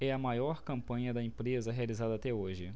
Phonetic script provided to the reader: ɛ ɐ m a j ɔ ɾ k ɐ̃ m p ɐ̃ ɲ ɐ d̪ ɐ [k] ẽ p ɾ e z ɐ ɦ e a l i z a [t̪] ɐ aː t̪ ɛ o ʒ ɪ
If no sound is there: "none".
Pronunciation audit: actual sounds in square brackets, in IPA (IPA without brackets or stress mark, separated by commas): none, d̪